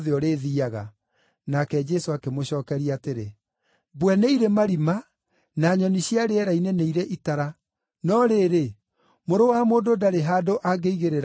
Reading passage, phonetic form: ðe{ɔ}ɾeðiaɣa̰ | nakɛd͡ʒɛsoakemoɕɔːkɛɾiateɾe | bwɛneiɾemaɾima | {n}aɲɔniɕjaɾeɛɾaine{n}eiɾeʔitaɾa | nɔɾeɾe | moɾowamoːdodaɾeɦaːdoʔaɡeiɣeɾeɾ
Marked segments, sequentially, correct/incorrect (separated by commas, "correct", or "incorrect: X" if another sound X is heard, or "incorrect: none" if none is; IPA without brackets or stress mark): correct, correct, correct